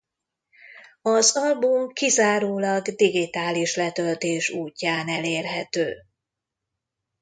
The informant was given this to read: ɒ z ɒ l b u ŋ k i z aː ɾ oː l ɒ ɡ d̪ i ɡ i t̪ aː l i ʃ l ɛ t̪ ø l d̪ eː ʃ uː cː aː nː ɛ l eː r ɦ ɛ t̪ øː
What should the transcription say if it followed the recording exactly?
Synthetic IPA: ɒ z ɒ l b u m k i z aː ɾ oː l ɒ ɡ d̪ i ɡ i t̪ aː l i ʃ l ɛ t̪ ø l t̪ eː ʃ uː cː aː n ɛ l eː r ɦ ɛ t̪ øː